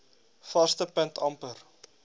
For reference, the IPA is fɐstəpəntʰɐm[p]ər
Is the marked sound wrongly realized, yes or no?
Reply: no